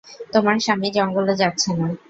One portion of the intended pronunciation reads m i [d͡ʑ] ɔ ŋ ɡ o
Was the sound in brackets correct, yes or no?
yes